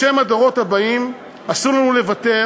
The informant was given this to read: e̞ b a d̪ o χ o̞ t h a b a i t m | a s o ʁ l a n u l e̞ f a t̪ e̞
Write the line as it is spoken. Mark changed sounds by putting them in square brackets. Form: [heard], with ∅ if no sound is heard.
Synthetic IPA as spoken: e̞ [m] a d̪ o [ʁ] o̞ t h a b a i [∅] m | a s [u] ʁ l a n u l e̞ [v] a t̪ e̞